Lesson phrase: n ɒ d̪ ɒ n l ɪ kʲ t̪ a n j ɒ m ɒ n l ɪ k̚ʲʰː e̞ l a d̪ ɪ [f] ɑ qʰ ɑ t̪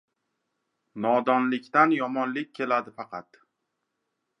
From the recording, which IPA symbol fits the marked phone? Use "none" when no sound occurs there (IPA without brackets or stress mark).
f